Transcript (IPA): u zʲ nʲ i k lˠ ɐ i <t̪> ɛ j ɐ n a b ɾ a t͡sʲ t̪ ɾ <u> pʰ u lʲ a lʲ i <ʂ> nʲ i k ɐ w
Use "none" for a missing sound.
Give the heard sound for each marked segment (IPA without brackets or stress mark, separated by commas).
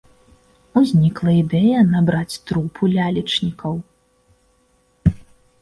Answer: d̪, u, t͡ʂ